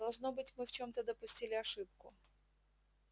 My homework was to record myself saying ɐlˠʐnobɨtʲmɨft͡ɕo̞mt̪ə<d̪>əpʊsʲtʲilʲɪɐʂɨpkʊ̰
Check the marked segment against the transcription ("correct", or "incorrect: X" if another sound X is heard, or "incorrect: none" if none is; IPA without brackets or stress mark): correct